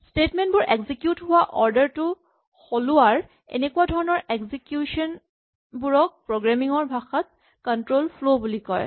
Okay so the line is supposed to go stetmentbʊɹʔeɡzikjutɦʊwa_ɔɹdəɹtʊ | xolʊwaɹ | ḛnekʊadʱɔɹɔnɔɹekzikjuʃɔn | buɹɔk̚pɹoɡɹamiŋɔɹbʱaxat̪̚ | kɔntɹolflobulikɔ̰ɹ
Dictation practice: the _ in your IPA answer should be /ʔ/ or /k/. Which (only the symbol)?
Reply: ʔ